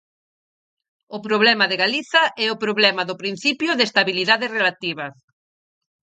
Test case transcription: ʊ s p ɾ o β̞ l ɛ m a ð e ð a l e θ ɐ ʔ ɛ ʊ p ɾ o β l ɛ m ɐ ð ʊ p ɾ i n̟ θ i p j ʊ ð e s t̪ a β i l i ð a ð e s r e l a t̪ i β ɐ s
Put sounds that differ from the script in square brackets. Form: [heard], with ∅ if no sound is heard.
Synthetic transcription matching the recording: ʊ [∅] p ɾ o β̞ l ɛ m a ð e [ɣ] a l [i] θ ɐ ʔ ɛ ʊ p ɾ o β l ɛ m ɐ ð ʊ p ɾ i n̟ θ i p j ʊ ð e s t̪ a β i l i ð a ð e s r e l a t̪ i β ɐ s